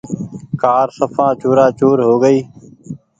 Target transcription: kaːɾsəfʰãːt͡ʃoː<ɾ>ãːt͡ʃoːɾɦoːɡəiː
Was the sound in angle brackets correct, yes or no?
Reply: yes